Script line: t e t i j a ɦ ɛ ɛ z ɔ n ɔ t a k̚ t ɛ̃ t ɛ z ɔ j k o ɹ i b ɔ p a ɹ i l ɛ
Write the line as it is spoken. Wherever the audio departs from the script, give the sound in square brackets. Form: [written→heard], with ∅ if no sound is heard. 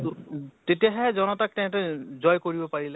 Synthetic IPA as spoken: t e t i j a ɦ ɛ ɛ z ɔ n ɔ t a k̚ t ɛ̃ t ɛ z ɔ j k o ɹ i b ɔ p a ɹ i l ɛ

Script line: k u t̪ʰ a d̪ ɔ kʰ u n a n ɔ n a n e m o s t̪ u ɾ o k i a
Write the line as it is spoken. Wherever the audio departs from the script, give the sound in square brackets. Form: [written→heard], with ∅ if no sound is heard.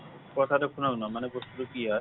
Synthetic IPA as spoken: k [u→ɔ] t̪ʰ a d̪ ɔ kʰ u n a n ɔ [n→m] a n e [m→b] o s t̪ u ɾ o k i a

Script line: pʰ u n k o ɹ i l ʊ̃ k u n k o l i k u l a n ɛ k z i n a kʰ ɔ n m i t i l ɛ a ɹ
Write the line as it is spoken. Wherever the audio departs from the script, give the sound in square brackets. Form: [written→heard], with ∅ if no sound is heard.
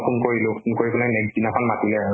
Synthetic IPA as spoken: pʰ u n k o ɹ i l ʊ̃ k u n k o [l→ɹ] i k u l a n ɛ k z i n a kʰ ɔ n m [i→a] t i l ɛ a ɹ

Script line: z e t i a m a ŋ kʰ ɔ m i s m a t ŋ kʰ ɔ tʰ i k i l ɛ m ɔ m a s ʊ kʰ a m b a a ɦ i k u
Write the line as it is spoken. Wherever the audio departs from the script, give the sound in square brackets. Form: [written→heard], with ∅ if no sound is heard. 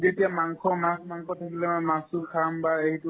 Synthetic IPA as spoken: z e t i a m a ŋ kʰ ɔ m [i→a] s m a [t→∅] ŋ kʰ ɔ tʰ [i→a] k i l ɛ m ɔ m a s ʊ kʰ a m b a [a→e] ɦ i [k→t] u

